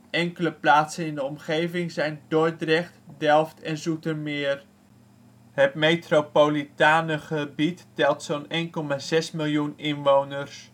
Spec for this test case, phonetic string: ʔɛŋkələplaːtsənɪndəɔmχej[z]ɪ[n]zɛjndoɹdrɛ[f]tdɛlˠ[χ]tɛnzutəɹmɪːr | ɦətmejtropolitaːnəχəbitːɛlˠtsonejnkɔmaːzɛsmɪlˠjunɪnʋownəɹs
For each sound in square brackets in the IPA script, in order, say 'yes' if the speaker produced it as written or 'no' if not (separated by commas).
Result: no, no, no, no